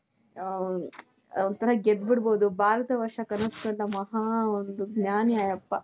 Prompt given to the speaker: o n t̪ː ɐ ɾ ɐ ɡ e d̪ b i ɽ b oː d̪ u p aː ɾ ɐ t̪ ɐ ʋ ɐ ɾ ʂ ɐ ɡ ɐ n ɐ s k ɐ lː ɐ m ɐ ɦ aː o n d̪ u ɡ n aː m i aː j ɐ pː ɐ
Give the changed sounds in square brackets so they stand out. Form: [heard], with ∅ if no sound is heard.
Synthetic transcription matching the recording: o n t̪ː ɐ ɾ ɐ ɡ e d̪ b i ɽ b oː d̪ u [b] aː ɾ ɐ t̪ ɐ ʋ ɐ ɾ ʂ ɐ [k] ɐ n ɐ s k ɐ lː ɐ m ɐ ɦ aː o n d̪ u ɡ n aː [n] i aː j ɐ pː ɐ